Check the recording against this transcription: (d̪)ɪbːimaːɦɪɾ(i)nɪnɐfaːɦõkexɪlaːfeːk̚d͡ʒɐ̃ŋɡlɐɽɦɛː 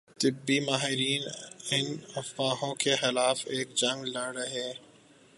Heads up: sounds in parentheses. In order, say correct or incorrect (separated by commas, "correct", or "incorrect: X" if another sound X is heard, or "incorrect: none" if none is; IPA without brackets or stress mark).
incorrect: t̪, incorrect: iː